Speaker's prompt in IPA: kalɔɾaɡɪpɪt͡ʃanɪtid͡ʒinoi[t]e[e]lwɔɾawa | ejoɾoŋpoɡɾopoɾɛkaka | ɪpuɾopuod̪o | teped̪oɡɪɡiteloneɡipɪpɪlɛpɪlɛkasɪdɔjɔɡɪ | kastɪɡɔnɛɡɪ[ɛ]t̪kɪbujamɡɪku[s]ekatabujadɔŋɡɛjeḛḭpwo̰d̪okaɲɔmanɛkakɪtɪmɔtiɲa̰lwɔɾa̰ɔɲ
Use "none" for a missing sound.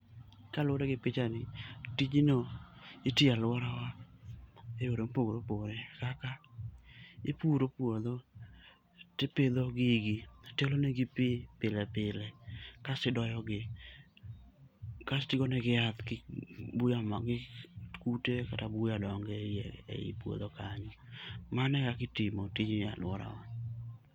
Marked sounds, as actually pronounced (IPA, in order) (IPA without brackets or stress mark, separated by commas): t, a, a, t